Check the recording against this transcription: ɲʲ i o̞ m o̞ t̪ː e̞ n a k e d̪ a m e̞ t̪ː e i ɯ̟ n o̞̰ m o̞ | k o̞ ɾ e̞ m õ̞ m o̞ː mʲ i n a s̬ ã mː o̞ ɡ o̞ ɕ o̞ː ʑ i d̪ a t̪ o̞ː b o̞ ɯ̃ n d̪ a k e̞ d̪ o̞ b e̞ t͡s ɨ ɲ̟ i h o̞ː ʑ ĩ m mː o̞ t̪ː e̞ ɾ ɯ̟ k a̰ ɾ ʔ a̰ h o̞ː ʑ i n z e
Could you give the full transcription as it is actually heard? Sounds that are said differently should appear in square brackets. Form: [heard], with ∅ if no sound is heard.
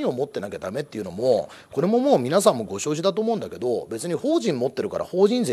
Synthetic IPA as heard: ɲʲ i o̞ m o̞ t̪ː e̞ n a k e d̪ a m e̞ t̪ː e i ɯ̟ n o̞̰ m o̞ | k o̞ ɾ e̞ m [o̞] m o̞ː mʲ i n a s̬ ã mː o̞ ɡ o̞ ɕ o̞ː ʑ i d̪ a t̪ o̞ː [m] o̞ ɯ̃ n d̪ a k e̞ d̪ o̞ b e̞ t͡s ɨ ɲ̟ i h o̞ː ʑ ĩ m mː o̞ t̪ː e̞ ɾ ɯ̟ k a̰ ɾ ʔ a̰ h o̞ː ʑ [ĩ] n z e